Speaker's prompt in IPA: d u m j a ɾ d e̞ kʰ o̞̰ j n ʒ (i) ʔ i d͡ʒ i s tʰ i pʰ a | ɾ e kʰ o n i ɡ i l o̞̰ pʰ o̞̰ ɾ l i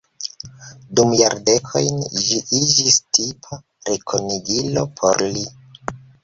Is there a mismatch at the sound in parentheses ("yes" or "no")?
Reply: no